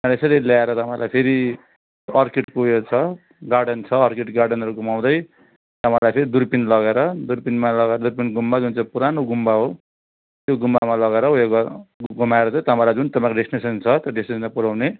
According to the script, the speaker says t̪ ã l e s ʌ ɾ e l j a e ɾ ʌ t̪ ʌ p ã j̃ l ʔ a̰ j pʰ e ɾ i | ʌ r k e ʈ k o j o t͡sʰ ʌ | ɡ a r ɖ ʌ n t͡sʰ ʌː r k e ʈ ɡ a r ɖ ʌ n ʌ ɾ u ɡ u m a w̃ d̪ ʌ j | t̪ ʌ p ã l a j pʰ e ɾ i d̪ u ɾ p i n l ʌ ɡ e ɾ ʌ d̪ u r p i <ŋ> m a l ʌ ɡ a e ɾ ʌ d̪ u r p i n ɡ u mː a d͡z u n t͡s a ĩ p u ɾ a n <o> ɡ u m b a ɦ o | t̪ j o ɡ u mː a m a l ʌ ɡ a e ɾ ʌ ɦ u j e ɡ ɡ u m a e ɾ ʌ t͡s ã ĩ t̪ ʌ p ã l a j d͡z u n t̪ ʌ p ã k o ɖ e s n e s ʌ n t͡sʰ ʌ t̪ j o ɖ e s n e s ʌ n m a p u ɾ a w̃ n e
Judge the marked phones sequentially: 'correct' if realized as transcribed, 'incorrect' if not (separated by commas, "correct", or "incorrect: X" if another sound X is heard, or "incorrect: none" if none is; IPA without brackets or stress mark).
incorrect: n, correct